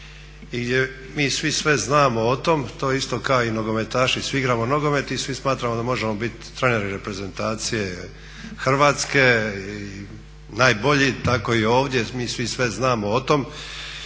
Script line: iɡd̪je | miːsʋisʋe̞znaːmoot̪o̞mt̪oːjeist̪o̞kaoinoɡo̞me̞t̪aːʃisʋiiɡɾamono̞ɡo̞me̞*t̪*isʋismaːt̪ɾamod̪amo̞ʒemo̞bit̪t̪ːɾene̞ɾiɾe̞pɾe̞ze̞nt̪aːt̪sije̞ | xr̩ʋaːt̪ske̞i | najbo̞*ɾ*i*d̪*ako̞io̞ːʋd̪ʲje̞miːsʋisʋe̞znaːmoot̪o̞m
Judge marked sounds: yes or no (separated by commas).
yes, no, no